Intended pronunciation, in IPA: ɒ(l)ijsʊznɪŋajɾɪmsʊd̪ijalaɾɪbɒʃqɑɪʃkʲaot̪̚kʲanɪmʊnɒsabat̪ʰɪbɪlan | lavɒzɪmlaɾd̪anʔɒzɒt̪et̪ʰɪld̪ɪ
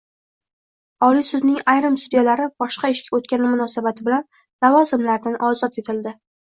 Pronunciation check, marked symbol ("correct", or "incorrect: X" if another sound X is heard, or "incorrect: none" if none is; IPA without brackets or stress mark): correct